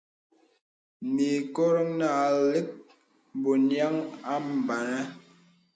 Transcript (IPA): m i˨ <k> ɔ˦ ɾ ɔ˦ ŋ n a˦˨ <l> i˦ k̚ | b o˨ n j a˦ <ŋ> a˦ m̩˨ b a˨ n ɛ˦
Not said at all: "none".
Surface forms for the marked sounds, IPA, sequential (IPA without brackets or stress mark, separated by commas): k, l, ŋ